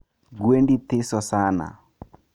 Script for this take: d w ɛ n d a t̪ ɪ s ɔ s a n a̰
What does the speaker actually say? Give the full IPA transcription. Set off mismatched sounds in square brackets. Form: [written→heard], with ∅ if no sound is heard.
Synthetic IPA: [d→ɡ] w [ɛ→e] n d [a→i] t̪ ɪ s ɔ s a n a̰